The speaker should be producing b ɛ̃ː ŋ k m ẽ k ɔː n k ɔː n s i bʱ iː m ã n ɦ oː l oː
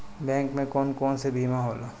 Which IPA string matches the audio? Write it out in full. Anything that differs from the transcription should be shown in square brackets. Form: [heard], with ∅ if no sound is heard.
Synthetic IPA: b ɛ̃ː ŋ k m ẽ k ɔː n k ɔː n s [e] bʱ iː m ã [∅] ɦ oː l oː